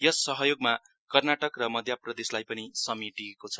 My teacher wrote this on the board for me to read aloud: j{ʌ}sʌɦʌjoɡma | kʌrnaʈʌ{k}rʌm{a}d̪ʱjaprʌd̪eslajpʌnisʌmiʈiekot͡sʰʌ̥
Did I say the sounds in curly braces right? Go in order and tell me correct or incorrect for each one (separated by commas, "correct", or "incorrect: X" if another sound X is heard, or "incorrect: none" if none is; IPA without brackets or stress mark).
correct, correct, incorrect: ʌ